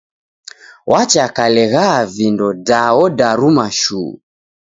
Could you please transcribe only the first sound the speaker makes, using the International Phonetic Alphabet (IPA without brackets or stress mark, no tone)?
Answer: w